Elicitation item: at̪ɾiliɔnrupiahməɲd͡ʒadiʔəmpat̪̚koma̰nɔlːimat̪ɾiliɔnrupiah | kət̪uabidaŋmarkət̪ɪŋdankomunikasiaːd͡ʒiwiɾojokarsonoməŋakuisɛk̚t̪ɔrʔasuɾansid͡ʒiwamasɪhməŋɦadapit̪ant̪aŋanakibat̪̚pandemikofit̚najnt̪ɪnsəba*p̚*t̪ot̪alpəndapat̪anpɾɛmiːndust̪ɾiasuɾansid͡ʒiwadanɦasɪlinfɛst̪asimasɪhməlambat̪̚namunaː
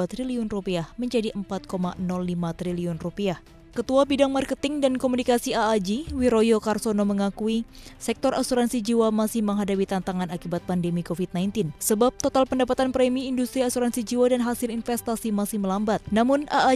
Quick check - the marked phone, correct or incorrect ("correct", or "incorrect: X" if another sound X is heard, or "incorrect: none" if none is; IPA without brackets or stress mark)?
correct